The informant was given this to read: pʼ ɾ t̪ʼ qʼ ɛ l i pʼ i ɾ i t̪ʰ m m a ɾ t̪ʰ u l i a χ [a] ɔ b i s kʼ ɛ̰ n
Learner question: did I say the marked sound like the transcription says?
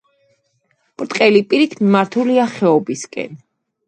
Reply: no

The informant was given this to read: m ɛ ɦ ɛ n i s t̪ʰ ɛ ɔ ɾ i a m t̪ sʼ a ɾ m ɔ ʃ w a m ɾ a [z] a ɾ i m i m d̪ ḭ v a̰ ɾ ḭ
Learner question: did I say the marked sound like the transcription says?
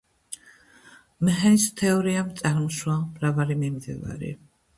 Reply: no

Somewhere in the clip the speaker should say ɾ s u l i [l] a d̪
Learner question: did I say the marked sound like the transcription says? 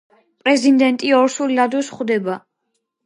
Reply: yes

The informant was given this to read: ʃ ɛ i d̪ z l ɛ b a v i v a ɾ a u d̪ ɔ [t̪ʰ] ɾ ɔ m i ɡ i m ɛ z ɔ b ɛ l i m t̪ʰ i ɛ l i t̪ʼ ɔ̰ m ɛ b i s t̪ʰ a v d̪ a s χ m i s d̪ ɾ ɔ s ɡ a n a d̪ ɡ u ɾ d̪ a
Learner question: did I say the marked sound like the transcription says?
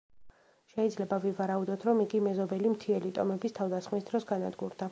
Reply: yes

